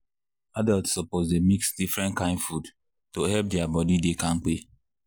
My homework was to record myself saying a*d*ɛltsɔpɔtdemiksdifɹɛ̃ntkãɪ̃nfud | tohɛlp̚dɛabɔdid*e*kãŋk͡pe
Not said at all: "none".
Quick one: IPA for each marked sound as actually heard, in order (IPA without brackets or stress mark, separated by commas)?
d, e